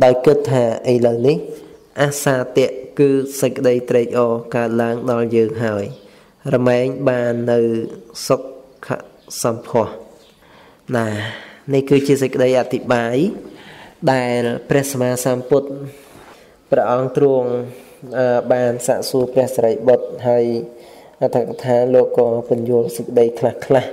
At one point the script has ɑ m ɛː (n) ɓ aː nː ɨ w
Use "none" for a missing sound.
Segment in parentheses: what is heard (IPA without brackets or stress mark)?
ŋ